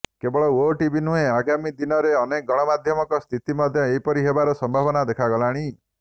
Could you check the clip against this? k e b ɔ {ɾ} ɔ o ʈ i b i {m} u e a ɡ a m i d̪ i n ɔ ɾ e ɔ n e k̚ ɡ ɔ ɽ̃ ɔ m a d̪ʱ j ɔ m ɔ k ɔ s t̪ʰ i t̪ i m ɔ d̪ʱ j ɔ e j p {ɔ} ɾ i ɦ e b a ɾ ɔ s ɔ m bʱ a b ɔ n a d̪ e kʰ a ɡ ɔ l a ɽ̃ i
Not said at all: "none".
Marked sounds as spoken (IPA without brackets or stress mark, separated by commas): ɭ, n, ɔ